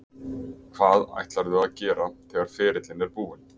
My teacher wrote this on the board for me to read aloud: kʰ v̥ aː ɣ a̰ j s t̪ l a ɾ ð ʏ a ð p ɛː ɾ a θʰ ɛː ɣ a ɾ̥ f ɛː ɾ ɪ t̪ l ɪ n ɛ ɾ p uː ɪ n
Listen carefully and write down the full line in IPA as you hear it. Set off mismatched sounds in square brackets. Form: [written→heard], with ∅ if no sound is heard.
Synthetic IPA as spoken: kʰ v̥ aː [ɣ→ð] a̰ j [s→h] t̪ l a ɾ ð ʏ a ð [p→c] ɛː ɾ a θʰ ɛː ɣ a ɾ̥ f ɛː ɾ ɪ t̪ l ɪ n ɛ ɾ p uː ɪ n